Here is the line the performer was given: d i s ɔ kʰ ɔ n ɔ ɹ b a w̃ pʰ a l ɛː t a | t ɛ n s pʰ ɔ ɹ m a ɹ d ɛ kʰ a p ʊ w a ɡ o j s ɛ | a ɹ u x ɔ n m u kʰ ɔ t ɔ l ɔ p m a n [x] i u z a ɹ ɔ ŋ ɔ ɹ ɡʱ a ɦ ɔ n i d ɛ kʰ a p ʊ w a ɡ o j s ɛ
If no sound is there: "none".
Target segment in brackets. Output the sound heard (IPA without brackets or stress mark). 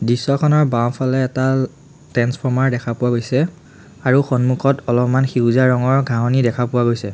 x